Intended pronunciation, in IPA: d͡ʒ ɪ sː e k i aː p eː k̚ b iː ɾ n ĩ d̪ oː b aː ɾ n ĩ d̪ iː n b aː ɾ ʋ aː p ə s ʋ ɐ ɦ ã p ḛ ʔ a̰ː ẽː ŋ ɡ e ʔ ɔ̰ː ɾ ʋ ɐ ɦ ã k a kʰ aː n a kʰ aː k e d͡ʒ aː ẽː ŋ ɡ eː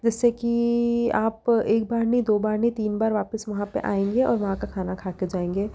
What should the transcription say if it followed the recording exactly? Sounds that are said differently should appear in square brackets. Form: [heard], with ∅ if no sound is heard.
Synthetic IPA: d͡ʒ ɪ sː e k i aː p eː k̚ b [aː] ɾ n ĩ d̪ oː b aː ɾ n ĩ [t̪] iː n b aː ɾ ʋ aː p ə s ʋ ɐ ɦ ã p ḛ ʔ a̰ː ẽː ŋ ɡ e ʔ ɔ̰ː ɾ ʋ ɐ ɦ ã k a kʰ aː n a kʰ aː k e d͡ʒ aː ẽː ŋ ɡ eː

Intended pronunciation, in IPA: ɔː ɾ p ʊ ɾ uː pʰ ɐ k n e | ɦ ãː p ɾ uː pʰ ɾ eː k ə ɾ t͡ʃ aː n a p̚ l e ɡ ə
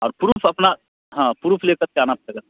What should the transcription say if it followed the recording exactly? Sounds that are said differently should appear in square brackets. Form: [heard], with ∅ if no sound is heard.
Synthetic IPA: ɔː ɾ p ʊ ɾ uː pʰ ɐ [p] n [a] | ɦ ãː p ɾ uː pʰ [l] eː k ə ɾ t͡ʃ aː n a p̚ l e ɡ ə

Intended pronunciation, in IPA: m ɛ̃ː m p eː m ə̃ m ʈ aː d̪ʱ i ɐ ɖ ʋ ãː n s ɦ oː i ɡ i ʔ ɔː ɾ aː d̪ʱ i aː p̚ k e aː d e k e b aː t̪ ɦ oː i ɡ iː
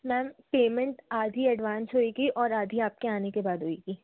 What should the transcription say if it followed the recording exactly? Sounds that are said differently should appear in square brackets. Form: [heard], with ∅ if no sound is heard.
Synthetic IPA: m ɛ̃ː m p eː m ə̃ [ɳ] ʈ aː d̪ʱ i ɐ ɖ ʋ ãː n s ɦ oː i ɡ i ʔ ɔː ɾ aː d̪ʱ i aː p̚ k e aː [n] e k e b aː [d̪] ɦ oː i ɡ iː

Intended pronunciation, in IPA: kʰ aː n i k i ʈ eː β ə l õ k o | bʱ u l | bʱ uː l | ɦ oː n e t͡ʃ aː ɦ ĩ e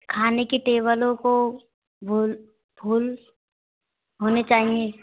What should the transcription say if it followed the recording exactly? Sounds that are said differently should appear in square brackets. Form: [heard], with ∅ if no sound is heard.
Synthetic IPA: kʰ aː n [e] k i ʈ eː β ə l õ k o | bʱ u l | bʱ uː l | ɦ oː n e t͡ʃ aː ɦ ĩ e

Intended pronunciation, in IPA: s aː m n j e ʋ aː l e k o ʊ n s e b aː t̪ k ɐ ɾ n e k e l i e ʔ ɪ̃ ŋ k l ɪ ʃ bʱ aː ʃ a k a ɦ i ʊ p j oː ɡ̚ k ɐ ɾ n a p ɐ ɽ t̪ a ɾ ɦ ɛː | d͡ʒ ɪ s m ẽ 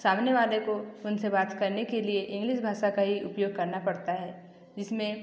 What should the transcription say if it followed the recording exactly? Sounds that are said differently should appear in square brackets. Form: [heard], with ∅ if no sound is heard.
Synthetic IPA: s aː m n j e ʋ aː l e k o ʊ n s e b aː t̪ k ɐ ɾ n e k e l i e ʔ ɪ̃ ŋ [ɡ] l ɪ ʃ bʱ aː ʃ a k a ɦ i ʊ p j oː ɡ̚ k ɐ ɾ n a p ɐ ɽ t̪ a [∅] ɦ ɛː | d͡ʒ ɪ s m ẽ

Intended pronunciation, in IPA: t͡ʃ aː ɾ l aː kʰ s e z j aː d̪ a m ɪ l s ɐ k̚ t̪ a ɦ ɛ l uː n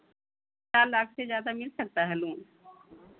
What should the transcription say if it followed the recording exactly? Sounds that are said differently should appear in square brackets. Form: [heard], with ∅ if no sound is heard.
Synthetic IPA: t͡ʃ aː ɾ l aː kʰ s e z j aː d̪ a m ɪ l s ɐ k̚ t̪ a ɦ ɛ l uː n

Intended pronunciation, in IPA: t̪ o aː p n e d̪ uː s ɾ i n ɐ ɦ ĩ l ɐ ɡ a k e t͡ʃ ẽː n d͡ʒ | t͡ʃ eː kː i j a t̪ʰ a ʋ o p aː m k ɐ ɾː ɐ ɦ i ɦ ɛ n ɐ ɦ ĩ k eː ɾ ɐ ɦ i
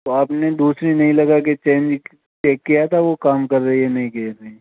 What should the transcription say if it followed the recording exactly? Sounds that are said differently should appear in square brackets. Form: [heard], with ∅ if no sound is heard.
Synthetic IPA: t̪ o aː p n e d̪ uː s ɾ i n ɐ ɦ ĩ l ɐ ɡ a k e t͡ʃ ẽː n d͡ʒ | t͡ʃ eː kː i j a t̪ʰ a ʋ o [k] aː m k ɐ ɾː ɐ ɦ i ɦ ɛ n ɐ ɦ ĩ k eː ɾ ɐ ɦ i

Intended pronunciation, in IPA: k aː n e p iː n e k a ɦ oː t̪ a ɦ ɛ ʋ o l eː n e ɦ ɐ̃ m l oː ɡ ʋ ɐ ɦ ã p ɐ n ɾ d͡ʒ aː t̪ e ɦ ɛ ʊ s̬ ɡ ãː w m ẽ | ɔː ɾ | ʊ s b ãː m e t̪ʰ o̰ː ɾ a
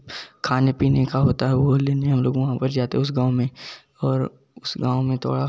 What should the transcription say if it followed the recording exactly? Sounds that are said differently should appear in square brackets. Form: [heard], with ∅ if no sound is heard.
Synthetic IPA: [kʰ] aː n e p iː n e k a ɦ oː t̪ a ɦ ɛ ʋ o l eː n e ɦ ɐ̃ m l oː ɡ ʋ ɐ ɦ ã p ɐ [∅] ɾ d͡ʒ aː t̪ e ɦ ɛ ʊ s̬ ɡ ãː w m ẽ | ɔː ɾ | ʊ s [ɡ] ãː m [ẽ] t̪ʰ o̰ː [ɽ] a

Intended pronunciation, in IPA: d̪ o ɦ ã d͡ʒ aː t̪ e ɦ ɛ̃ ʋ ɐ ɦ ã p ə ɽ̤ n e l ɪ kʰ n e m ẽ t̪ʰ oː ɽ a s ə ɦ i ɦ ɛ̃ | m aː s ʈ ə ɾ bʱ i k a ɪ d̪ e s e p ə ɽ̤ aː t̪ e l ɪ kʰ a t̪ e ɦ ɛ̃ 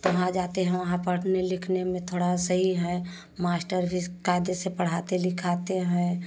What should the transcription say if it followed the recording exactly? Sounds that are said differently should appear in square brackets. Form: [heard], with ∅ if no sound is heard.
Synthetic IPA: [t̪] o ɦ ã d͡ʒ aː t̪ e ɦ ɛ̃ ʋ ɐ ɦ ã p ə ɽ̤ n e l ɪ kʰ n e m ẽ t̪ʰ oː ɽ a s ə ɦ i ɦ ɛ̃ | m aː s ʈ ə ɾ bʱ i k a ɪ d̪ e s e p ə ɽ̤ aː t̪ e l ɪ kʰ a t̪ e ɦ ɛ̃

